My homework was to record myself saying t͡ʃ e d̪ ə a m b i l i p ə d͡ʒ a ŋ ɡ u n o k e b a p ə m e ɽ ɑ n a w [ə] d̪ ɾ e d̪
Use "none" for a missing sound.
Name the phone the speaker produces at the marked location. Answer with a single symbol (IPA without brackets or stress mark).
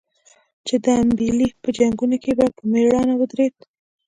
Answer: ə